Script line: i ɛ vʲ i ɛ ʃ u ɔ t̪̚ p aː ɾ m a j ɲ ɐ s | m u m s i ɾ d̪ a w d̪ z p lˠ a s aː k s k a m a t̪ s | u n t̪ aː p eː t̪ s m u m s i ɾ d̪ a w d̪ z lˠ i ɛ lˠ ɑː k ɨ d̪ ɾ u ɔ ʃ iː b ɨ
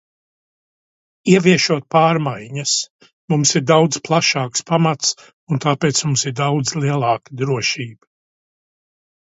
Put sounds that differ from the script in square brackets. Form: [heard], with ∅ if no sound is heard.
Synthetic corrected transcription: i ɛ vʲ i ɛ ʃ u ɔ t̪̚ p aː ɾ m a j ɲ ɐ s | m u m s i ɾ d̪ a w d̪ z p lˠ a [ʃ] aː k s [p] a m a t̪ s | u n t̪ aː p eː t̪ s m u m s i ɾ d̪ a w d̪ z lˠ i ɛ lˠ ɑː k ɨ d̪ ɾ u ɔ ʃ iː b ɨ